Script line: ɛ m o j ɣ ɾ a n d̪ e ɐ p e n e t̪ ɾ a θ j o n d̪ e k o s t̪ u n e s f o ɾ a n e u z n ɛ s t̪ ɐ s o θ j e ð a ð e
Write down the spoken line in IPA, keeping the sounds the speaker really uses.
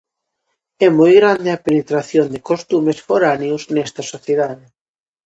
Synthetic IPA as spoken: ɛ m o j ɣ ɾ a n d̪ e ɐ p e n e t̪ ɾ a θ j o n d̪ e k o s t̪ u m e s f o ɾ a n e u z n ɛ s t̪ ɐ s o θ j e ð a ð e